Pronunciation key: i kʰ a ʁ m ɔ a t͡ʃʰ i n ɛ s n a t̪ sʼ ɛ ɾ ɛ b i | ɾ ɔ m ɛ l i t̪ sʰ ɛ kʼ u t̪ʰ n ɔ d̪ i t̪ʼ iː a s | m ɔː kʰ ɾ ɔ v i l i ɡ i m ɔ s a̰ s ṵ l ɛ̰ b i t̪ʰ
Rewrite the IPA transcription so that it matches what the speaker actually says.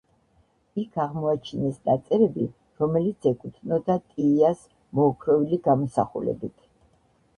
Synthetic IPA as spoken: i kʰ a ʁ m ɔ a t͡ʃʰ i n ɛ s n a t̪ sʼ ɛ ɾ ɛ b i | ɾ ɔ m ɛ l i t̪ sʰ ɛ kʼ u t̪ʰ n ɔ d̪ a t̪ʼ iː a s | m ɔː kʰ ɾ ɔ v i l i ɡ a m ɔ s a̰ χ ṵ l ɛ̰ b i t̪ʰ

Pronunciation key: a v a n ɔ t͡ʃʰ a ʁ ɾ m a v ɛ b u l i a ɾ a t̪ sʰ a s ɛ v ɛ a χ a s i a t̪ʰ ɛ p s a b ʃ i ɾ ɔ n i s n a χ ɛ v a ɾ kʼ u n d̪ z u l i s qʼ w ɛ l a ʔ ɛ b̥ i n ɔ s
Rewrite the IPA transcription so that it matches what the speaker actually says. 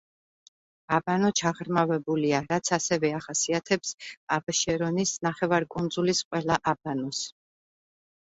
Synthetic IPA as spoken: a b a n ɔ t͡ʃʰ a ʁ ɾ m a v ɛ b u l i a ɾ a t̪ sʰ a s ɛ v ɛ a χ a s i a t̪ʰ ɛ p s a b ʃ ɛ ɾ ɔ n i s n a χ ɛ v a ɾ kʼ u n d̪ z u l i s qʼ w ɛ l a ʔ a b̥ a n ɔ s

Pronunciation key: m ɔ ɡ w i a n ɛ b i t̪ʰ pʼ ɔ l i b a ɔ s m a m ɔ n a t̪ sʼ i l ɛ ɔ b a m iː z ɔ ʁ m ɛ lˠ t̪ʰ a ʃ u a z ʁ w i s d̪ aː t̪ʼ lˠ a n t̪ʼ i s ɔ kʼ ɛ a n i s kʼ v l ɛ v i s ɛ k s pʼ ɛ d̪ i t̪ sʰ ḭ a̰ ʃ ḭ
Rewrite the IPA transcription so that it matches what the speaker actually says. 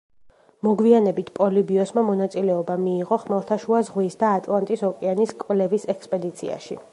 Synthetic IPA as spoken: m ɔ ɡ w i a n ɛ b i t̪ʰ pʼ ɔ l i b i ɔ s m a m ɔ n a t̪ sʼ i l ɛ ɔ b a m iː ʁ ɔ χ m ɛ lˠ t̪ʰ a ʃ u a z ʁ w i s d̪ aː t̪ʼ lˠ a n t̪ʼ i s ɔ kʼ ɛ a n i s kʼ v l ɛ v i s ɛ k s pʼ ɛ d̪ i t̪ sʰ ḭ a̰ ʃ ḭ

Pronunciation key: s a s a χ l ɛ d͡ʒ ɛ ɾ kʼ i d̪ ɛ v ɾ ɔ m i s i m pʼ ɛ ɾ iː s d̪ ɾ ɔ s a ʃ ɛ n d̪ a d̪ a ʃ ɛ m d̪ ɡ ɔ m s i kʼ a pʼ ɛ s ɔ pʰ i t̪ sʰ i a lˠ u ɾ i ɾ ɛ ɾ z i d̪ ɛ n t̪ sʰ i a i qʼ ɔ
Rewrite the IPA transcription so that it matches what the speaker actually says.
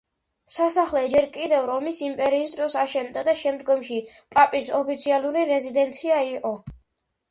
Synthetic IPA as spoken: s a s a χ l ɛ d͡ʒ ɛ ɾ kʼ i d̪ ɛ v ɾ ɔ m i s i m pʼ ɛ ɾ iː s d̪ ɾ ɔ s a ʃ ɛ n d̪ a d̪ a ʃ ɛ m d̪ ɡ ɔ m ʃ i pʼ a pʼ i s ɔ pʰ i t̪ sʰ i a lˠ u ɾ i ɾ ɛ z i d̪ ɛ n t̪ sʰ i a i qʼ ɔ

